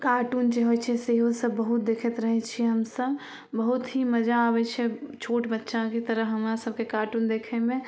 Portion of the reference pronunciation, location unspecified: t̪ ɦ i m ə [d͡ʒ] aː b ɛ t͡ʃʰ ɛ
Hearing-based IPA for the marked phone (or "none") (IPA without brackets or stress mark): d͡ʒ